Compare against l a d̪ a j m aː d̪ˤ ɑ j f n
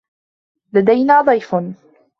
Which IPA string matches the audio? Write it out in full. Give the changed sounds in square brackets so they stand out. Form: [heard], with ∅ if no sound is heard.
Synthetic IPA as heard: l a d̪ a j [n] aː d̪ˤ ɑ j f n